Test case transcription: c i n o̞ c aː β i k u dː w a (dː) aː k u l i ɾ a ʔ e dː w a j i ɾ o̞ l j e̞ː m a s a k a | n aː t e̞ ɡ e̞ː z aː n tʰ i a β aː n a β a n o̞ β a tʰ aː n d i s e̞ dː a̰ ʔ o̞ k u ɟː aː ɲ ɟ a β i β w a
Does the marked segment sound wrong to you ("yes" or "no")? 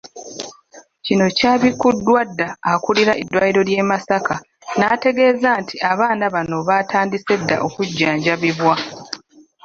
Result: no